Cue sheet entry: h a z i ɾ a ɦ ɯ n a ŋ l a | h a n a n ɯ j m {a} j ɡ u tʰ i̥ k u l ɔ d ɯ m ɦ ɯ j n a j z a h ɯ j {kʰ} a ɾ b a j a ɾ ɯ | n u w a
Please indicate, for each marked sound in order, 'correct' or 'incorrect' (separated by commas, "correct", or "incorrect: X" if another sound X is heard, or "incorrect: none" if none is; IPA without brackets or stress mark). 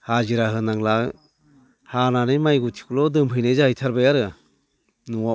correct, incorrect: tʰ